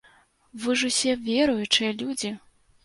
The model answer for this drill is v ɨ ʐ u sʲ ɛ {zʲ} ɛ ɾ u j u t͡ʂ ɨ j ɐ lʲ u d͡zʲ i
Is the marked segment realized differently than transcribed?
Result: yes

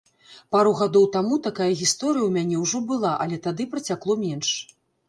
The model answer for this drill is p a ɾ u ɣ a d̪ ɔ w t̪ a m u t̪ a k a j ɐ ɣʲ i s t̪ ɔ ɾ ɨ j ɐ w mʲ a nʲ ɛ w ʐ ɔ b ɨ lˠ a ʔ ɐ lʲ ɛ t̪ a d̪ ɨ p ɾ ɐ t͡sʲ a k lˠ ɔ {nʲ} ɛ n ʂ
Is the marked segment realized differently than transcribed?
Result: yes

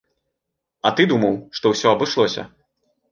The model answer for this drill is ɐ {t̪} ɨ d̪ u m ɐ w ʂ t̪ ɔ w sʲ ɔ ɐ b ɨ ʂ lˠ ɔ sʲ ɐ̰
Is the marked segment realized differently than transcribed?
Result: no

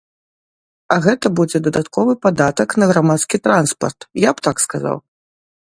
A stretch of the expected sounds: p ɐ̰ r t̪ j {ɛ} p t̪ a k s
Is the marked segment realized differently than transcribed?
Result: yes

